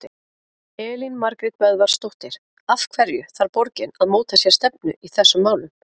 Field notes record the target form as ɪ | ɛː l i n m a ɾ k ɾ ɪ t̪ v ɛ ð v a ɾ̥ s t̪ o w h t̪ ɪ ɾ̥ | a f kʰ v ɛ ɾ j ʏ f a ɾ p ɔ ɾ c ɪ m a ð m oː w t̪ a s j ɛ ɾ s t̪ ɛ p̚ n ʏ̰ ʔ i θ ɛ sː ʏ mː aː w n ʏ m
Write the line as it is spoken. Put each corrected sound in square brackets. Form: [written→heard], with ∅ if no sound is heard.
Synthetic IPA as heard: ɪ | ɛː l i n m a ɾ k ɾ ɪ t̪ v ɛ ð v a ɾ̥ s t̪ o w h t̪ ɪ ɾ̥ | a f kʰ v ɛ ɾ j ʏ [f→θ] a ɾ p ɔ ɾ c ɪ [m→n] a ð m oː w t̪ a s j ɛ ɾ s t̪ ɛ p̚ n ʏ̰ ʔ i θ ɛ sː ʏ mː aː w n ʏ m